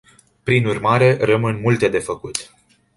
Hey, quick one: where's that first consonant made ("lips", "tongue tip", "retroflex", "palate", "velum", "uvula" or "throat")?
lips